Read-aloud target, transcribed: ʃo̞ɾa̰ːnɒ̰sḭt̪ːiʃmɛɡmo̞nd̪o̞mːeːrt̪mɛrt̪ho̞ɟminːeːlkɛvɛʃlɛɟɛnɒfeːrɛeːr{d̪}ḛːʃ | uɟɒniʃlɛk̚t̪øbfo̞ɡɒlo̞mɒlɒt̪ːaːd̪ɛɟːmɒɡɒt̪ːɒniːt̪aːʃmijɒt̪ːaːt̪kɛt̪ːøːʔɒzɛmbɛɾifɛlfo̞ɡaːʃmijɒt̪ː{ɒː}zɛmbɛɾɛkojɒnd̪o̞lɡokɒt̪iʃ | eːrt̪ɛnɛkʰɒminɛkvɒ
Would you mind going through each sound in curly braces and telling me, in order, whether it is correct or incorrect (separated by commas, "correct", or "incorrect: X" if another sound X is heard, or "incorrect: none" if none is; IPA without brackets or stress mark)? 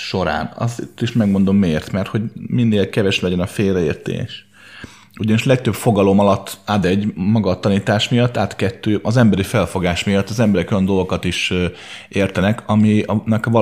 incorrect: t̪, incorrect: ɒ